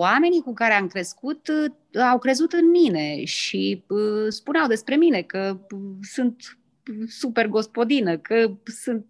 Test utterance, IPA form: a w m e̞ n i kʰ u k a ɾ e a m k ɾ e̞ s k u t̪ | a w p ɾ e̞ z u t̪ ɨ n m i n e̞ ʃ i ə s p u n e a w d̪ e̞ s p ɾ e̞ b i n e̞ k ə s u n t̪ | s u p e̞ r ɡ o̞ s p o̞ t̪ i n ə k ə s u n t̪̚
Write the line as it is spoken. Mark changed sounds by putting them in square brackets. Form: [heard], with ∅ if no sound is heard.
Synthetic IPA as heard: a [∅] m e̞ n i [k] u k a ɾ e a m k ɾ e̞ s k u t̪ | a w [k] ɾ e̞ z u t̪ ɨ n m i n e̞ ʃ i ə s p u n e a w d̪ e̞ s p ɾ e̞ [m] i n e̞ k ə s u n t̪ | s u p e̞ r ɡ o̞ s p o̞ [d̪] i n ə k ə s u n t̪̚